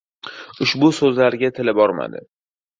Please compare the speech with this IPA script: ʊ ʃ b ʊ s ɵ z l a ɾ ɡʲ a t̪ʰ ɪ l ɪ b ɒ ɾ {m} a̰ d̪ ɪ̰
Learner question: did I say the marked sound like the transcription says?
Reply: yes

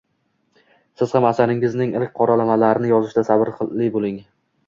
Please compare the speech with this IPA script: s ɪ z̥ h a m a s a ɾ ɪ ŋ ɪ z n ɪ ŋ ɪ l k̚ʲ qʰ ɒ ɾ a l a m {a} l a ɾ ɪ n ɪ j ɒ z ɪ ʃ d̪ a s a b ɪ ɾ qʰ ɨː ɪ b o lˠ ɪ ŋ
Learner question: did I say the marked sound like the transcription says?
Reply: yes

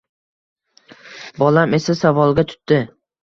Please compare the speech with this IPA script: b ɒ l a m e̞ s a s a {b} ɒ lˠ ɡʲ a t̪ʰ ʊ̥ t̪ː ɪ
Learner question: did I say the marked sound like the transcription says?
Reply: no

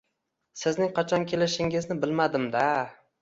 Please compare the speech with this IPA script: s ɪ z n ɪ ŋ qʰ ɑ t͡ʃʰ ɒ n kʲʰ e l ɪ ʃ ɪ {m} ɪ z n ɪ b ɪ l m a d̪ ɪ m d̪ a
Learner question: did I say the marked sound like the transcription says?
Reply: no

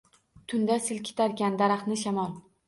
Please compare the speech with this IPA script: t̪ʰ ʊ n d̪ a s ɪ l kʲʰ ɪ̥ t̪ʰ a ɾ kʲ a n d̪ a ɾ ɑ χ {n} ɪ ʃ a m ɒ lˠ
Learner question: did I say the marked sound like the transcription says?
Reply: yes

